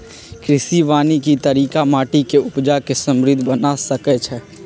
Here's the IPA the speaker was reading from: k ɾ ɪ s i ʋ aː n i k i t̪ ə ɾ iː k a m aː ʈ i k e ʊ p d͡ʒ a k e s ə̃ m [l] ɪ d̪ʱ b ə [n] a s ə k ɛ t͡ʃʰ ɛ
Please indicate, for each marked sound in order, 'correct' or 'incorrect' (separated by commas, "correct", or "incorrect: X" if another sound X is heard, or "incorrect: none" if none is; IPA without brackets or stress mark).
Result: incorrect: ɾ, correct